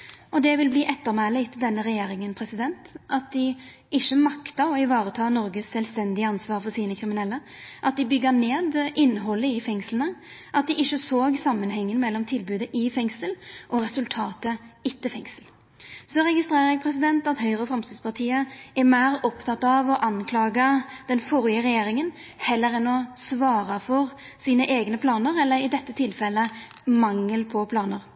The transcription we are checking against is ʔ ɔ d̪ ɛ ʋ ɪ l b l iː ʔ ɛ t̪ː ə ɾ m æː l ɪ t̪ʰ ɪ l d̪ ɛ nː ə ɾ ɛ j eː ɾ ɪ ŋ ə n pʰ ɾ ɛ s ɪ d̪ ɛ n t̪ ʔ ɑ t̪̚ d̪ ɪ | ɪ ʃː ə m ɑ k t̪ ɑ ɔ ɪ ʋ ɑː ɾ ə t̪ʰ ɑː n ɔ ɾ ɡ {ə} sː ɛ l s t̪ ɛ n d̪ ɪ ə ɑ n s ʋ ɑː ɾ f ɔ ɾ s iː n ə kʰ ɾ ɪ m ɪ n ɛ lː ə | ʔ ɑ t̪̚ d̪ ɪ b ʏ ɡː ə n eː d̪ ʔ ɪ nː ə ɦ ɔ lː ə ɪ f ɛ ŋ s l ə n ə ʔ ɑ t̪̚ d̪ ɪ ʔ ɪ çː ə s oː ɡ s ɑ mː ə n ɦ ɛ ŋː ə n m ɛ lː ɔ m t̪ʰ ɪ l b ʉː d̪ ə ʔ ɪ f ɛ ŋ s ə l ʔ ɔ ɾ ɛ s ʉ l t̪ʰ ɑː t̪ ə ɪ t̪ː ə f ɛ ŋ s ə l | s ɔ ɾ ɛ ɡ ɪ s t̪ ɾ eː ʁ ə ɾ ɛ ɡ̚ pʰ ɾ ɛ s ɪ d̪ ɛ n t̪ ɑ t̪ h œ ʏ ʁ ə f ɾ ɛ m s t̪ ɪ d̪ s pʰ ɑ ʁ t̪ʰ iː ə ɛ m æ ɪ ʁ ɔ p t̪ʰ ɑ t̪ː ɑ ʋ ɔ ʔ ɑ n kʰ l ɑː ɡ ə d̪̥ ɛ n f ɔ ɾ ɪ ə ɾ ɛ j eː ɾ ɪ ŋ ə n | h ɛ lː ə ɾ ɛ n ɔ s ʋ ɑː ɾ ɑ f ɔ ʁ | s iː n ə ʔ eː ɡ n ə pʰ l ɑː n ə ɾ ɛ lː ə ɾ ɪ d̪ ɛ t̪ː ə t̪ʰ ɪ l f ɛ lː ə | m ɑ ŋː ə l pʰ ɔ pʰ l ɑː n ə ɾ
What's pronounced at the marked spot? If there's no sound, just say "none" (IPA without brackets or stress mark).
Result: ə